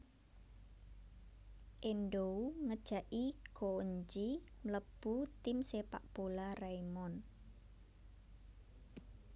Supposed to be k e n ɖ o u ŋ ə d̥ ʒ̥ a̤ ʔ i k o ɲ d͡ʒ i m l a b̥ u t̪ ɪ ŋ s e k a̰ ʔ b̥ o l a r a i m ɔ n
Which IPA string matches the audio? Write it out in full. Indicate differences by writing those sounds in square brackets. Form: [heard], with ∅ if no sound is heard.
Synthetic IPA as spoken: [ʔ] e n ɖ o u ŋ ə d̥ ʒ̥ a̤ ʔ i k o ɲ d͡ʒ i m l [ə] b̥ u t̪ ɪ [m] s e [p] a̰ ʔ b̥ o l a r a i m ɔ n